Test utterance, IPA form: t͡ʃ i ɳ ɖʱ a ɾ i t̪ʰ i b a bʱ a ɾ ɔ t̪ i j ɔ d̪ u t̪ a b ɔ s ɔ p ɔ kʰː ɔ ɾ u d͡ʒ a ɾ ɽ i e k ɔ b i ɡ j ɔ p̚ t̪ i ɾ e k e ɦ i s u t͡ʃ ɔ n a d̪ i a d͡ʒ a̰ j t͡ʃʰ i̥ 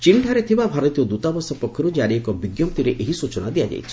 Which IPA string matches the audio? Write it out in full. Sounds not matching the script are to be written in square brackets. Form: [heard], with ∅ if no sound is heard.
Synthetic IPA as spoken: t͡ʃ i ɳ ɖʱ a ɾ [e] t̪ʰ i b a bʱ a ɾ ɔ t̪ i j ɔ d̪ u t̪ a b ɔ s ɔ p ɔ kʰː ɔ ɾ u d͡ʒ a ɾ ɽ i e k ɔ b i ɡ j ɔ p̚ t̪ i ɾ e [ʔ] e ɦ i s u t͡ʃ ɔ n a d̪ i a d͡ʒ a̰ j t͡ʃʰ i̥